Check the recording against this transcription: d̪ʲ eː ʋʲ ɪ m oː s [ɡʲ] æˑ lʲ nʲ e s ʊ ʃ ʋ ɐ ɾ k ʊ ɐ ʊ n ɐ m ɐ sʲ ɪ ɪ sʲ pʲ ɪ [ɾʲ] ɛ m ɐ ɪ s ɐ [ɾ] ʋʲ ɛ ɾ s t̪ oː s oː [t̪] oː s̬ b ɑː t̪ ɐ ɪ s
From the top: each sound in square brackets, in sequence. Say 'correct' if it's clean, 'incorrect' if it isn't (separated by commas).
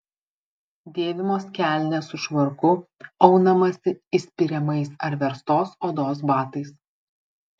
incorrect, correct, correct, incorrect